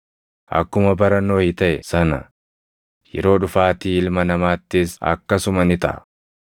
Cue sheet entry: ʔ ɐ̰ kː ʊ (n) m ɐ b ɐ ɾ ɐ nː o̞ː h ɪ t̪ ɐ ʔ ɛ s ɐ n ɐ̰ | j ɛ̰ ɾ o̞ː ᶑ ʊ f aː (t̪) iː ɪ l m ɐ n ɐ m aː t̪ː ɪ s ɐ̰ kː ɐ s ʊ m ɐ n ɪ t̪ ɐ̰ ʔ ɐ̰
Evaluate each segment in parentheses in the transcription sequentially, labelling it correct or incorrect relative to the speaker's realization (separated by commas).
incorrect, correct